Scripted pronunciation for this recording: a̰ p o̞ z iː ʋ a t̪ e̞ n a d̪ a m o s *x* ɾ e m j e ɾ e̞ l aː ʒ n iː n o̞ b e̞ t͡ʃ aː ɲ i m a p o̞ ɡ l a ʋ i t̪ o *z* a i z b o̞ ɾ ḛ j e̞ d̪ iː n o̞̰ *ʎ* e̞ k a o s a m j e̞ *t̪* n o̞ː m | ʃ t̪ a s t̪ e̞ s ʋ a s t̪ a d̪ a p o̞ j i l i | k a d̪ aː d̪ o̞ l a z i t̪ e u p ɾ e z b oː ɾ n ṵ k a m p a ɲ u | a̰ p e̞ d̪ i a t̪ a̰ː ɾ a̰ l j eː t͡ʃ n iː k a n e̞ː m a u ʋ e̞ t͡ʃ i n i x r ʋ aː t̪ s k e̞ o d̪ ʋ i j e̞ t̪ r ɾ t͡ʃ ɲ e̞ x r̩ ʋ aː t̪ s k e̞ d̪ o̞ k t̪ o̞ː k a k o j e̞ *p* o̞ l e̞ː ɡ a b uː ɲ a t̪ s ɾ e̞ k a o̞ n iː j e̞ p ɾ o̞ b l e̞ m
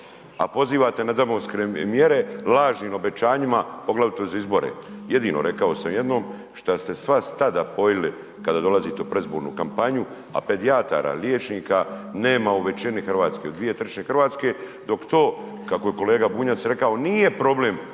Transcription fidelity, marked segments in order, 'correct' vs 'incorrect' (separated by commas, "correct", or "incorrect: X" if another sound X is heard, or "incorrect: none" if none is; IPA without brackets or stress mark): incorrect: k, correct, incorrect: ɾ, incorrect: d̪, incorrect: k